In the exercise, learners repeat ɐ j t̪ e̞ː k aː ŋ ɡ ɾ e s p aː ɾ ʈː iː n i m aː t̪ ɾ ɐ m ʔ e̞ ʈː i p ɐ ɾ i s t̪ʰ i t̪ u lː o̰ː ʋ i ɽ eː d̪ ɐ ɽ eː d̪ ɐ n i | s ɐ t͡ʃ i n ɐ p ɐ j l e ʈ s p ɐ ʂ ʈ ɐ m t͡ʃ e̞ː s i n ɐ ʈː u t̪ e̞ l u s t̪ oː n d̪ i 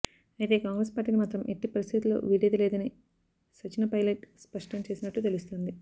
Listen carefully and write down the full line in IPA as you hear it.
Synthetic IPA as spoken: ɐ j t̪ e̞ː k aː ŋ ɡ ɾ e s p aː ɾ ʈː iː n i m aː t̪ ɾ ɐ m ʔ e̞ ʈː i p ɐ ɾ i s t̪ʰ i t̪ u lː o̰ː ʋ i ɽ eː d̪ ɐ l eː d̪ ɐ n i | s ɐ t͡ʃ i n ɐ p ɐ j l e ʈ s p ɐ ʂ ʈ ɐ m t͡ʃ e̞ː s i n ɐ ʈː u t̪ e̞ l u s t̪ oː n d̪ i